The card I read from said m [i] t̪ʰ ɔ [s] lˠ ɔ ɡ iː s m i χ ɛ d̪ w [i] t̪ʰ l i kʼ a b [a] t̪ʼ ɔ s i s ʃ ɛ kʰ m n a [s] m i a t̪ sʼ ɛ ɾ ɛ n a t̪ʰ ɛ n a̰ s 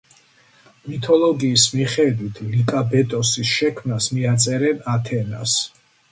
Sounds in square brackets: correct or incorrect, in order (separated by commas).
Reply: correct, incorrect, correct, incorrect, correct